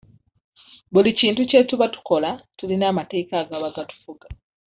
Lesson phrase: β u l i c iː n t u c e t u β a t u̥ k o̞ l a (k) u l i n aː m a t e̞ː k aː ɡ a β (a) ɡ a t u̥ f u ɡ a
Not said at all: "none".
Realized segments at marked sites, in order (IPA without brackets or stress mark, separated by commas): t, a